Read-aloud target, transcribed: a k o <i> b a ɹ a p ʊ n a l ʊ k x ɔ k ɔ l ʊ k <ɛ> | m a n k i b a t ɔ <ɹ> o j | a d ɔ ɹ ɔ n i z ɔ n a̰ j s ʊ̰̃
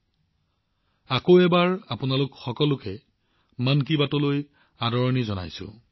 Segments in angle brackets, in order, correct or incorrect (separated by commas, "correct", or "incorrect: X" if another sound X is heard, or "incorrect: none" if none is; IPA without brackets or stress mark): incorrect: ɛ, correct, incorrect: l